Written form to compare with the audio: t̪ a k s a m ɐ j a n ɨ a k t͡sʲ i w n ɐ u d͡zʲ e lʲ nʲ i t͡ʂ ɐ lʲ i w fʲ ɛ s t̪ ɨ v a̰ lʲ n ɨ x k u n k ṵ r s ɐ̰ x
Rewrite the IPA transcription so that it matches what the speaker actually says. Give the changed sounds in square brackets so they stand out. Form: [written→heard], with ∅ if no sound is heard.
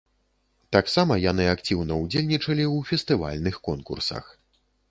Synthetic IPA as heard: t̪ a k s a m ɐ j a n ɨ a k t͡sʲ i w n ɐ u d͡zʲ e lʲ nʲ i t͡ʂ ɐ lʲ i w fʲ ɛ s t̪ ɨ v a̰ lʲ n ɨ x k [u→ɔ] n k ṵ r s ɐ̰ x